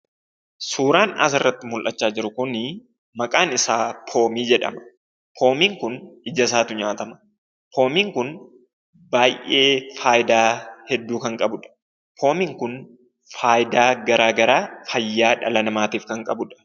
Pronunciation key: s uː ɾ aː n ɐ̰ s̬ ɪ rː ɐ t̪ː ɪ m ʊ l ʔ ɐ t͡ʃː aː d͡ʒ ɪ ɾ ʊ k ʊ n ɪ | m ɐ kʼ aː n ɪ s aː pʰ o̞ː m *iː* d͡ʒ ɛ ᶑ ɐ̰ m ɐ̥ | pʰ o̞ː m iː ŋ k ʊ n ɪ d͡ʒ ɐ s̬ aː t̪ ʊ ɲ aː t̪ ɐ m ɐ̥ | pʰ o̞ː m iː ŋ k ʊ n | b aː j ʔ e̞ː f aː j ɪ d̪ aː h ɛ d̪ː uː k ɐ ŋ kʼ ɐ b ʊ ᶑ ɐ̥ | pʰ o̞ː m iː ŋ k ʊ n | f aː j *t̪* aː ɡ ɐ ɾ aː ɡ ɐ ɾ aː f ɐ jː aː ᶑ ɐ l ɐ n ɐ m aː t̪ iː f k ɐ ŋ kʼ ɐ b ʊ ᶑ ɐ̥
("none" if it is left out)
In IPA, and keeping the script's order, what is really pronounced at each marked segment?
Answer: iː, d̪

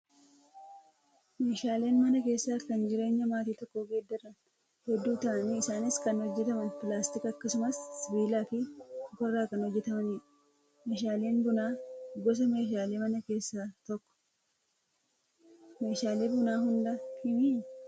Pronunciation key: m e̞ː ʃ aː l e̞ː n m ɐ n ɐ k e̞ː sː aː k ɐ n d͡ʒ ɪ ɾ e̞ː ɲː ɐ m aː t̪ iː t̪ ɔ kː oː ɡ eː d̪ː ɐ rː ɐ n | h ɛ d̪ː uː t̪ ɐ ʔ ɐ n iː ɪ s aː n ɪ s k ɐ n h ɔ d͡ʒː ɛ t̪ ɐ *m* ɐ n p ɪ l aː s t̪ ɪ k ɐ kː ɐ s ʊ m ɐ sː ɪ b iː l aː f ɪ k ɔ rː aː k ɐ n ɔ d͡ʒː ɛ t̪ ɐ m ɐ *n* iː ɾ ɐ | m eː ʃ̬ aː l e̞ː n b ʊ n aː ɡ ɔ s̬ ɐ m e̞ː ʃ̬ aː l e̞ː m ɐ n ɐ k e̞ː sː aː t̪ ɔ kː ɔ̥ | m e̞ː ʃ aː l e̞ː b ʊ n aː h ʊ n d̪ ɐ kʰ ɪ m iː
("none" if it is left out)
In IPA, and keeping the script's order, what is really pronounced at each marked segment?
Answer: m, n

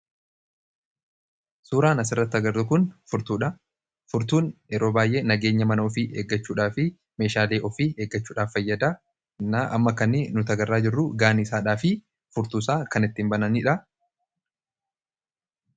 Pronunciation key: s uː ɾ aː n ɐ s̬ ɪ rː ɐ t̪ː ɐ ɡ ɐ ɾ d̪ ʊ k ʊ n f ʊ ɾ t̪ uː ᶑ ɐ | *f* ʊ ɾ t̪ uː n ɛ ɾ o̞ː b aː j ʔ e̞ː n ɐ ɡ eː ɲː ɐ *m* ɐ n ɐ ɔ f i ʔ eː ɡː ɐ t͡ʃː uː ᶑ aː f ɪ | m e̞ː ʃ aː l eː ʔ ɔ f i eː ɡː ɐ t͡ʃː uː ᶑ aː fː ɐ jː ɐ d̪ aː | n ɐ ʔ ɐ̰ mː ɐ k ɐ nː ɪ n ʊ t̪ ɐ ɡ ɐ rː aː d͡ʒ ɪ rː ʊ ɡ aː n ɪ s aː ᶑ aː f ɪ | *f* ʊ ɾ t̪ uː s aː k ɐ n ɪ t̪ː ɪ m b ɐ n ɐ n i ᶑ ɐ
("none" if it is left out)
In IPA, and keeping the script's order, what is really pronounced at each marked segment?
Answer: f, m, f

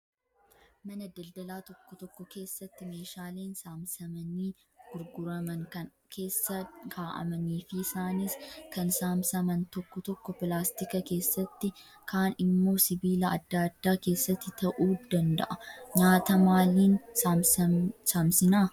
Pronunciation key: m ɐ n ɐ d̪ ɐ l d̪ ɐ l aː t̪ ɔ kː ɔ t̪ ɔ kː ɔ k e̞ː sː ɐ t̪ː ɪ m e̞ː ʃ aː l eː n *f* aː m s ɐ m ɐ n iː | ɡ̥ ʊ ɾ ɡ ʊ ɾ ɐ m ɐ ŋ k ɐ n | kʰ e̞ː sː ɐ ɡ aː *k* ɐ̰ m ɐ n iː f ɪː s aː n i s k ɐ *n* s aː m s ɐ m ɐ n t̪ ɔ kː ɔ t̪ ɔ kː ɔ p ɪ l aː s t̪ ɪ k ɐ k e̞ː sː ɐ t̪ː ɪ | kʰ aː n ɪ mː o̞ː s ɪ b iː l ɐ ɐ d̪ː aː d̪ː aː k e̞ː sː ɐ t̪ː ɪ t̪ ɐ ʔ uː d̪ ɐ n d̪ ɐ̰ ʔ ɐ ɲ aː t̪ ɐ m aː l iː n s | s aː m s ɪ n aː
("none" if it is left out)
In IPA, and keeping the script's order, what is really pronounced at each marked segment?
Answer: s, ʔ, n

